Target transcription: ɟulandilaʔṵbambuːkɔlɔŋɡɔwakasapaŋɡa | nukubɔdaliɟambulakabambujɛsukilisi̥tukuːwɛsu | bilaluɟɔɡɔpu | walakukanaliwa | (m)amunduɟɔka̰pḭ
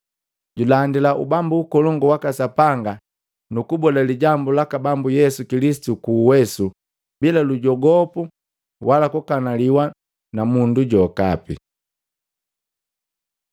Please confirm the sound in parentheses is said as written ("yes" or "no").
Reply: no